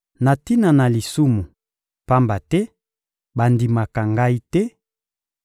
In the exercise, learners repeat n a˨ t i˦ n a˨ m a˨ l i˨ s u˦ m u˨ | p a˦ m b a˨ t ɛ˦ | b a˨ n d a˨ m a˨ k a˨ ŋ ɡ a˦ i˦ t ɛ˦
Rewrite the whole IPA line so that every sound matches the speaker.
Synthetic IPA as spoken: n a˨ t i˦ n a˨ n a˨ l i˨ s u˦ m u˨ | p a˦ m b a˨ t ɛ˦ | b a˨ n d i˨ m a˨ k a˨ ŋ ɡ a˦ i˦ t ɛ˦